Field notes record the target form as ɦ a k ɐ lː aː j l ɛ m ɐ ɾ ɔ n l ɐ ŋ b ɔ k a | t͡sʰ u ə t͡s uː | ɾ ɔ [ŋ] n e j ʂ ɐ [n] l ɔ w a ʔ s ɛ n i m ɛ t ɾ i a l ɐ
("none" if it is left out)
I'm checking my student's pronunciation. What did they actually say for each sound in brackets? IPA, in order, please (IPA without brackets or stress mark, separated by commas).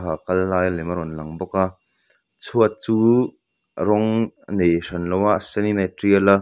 ŋ, n